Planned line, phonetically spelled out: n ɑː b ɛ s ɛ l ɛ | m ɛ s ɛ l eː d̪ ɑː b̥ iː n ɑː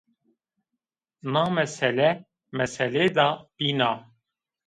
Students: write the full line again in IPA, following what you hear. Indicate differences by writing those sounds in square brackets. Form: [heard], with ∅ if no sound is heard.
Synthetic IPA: n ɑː [m] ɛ s ɛ l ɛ | m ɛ s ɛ l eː d̪ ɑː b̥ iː n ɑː